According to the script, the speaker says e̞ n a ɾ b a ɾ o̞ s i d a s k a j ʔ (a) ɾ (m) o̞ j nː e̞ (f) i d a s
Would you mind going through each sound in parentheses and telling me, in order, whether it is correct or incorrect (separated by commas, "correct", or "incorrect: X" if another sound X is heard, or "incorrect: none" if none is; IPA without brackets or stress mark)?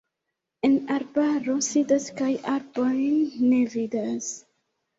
correct, incorrect: b, incorrect: v